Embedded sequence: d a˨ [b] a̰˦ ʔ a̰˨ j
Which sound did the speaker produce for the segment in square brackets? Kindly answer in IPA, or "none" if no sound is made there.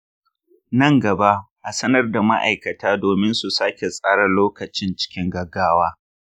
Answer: m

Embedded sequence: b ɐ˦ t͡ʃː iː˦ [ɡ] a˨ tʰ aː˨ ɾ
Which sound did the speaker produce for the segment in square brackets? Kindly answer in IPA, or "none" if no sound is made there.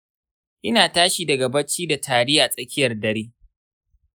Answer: d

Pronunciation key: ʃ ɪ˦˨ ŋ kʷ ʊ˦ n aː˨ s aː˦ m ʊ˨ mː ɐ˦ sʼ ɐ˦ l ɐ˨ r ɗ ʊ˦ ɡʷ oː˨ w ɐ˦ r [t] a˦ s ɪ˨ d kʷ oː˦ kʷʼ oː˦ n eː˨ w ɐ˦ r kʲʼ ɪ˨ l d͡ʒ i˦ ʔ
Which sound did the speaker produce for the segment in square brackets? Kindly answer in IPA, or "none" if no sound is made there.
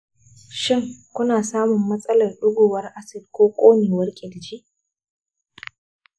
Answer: ʔ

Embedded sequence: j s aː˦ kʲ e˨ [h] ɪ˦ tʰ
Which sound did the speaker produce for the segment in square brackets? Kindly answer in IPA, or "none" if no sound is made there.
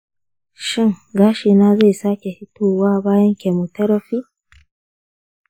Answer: h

